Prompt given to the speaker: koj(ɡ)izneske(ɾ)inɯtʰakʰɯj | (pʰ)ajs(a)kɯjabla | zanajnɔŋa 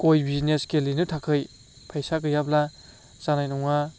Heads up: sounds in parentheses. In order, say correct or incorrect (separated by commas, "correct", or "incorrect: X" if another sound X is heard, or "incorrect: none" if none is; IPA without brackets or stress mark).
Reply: incorrect: b, incorrect: l, correct, correct